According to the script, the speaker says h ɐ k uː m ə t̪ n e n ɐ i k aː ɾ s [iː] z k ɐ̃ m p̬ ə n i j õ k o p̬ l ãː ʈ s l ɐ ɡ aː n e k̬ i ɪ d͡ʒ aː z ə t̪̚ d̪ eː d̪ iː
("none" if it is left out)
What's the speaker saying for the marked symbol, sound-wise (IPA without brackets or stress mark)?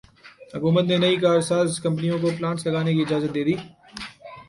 aː